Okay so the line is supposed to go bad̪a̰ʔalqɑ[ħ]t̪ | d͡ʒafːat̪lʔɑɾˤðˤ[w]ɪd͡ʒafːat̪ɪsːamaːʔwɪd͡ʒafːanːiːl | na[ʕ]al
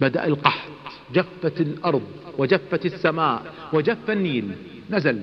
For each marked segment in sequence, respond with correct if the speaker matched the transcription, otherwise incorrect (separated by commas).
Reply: correct, correct, incorrect